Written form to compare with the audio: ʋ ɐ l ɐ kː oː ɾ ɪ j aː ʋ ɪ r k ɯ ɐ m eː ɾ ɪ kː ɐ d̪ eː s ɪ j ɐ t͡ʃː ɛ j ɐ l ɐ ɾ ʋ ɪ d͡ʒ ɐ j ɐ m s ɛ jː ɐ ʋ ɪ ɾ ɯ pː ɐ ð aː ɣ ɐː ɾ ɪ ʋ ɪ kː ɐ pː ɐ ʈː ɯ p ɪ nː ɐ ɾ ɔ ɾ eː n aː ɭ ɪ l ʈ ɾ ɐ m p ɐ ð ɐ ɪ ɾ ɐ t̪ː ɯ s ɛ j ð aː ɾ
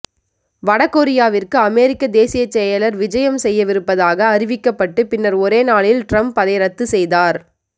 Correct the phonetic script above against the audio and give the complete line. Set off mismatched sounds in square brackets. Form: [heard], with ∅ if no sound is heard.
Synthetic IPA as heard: ʋ ɐ [ɽ] ɐ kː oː ɾ ɪ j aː ʋ ɪ r k ɯ ɐ m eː ɾ ɪ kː ɐ d̪ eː s ɪ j ɐ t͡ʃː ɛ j ɐ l ɐ ɾ ʋ ɪ d͡ʒ ɐ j ɐ m s ɛ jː ɐ ʋ ɪ ɾ ɯ pː ɐ ð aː ɣ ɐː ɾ ɪ ʋ ɪ kː ɐ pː ɐ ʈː ɯ p ɪ nː ɐ ɾ ɔ ɾ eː n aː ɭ ɪ l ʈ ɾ ɐ m p ɐ ð ɐ ɪ ɾ ɐ t̪ː ɯ s ɛ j ð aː ɾ